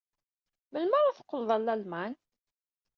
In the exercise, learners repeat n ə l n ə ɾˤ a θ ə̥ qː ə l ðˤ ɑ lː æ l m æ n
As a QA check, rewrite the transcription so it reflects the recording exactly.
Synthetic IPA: m ə l m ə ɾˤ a θ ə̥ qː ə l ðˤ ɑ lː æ l m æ n